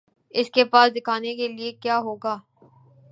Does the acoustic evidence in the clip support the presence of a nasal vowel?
no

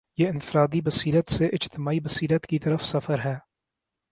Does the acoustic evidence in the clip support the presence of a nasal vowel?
no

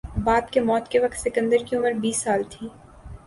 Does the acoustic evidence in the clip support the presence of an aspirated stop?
yes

